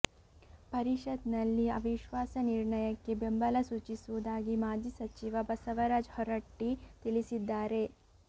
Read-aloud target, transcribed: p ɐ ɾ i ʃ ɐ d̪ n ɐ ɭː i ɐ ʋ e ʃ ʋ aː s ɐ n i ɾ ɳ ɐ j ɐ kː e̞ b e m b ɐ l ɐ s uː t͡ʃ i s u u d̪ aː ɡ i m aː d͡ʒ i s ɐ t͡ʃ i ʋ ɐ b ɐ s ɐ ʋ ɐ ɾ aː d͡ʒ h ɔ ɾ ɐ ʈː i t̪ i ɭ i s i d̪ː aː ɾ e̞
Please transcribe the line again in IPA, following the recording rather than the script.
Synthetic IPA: p ɐ ɾ i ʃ ɐ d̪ n ɐ lː i ɐ ʋ i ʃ ʋ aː s ɐ n i ɾ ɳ ɐ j ɐ kː e̞ b e m b ɐ l ɐ s uː t͡ʃ i s u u d̪ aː ɡ i m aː d͡ʒ i s ɐ t͡ʃ i ʋ ɐ b ɐ s ɐ ʋ ɐ ɾ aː d͡ʒ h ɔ ɾ ɐ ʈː i t̪ i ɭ i s i d̪ː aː ɾ e̞